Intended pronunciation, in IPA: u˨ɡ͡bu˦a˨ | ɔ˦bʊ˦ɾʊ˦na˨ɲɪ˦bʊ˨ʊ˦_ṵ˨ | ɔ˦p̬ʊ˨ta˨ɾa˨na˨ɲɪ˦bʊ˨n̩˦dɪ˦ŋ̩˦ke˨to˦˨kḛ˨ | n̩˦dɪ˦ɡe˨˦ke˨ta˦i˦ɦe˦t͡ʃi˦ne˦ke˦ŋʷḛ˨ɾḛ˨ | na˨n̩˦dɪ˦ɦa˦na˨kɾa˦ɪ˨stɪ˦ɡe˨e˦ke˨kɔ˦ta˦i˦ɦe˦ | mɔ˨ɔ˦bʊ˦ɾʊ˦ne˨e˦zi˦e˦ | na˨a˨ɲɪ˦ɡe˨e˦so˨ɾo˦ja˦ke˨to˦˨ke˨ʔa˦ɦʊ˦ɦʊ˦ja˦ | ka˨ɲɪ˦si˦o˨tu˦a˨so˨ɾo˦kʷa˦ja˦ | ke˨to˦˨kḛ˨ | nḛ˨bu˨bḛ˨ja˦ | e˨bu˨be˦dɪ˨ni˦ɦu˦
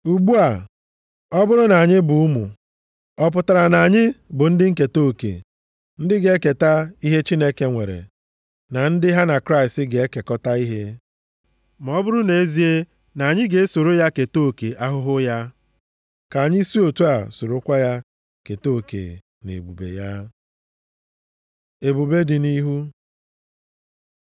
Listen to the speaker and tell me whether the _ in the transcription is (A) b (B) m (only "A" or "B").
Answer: B